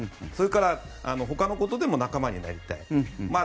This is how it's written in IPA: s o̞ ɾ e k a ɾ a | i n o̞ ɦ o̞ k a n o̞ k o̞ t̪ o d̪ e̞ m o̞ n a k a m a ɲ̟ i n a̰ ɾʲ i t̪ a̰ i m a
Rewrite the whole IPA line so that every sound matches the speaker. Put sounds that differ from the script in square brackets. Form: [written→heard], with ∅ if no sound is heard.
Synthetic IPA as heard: s o̞ ɾ e k a ɾ a | [i→a] n o̞ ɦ o̞ k a n o̞ k o̞ t̪ o d̪ e̞ m o̞ n a k a m a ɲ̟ i n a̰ ɾʲ i t̪ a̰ i m a